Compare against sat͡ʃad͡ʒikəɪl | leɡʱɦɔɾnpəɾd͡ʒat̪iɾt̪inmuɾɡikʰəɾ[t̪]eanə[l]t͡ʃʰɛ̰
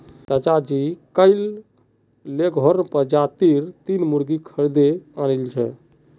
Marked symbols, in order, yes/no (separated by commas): no, yes